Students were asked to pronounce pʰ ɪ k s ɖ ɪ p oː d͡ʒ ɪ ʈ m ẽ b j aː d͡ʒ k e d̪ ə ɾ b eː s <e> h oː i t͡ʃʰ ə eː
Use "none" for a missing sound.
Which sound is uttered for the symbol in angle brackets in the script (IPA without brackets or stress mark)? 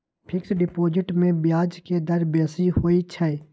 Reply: i